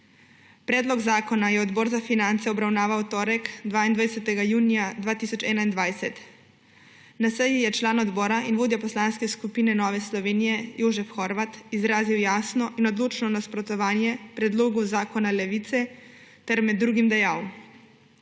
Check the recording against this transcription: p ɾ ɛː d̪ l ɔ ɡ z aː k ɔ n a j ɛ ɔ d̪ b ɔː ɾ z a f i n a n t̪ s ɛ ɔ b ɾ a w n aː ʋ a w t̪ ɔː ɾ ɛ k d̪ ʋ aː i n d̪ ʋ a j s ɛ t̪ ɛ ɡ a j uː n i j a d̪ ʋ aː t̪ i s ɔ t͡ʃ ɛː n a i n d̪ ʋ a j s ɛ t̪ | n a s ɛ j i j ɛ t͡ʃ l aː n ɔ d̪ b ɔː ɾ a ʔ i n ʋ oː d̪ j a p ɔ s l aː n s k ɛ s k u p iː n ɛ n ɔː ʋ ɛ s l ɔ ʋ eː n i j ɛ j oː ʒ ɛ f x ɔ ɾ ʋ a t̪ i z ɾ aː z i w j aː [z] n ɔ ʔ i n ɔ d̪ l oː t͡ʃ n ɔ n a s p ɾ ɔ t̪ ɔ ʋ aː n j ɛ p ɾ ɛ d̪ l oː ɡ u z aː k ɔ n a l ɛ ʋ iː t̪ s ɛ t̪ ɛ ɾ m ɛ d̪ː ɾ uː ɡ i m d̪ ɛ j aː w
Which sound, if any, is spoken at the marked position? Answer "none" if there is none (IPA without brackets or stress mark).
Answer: s